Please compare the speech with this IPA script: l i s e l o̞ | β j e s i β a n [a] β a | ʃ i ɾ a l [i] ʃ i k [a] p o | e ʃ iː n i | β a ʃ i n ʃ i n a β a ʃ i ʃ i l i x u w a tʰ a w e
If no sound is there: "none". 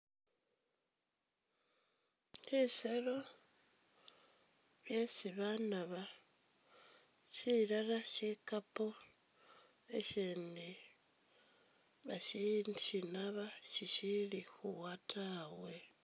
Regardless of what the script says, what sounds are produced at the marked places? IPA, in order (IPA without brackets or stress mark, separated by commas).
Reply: a, a, a